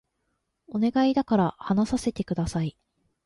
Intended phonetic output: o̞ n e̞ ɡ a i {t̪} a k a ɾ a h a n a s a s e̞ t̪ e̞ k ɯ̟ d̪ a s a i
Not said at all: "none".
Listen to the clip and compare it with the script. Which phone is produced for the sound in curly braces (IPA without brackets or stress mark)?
d̪